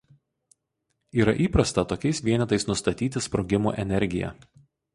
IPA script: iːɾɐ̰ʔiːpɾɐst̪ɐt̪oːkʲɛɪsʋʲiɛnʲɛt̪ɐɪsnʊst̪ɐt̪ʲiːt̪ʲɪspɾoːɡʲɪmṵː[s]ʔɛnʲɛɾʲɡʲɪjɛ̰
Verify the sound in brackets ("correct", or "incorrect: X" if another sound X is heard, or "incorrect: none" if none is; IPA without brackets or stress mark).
incorrect: none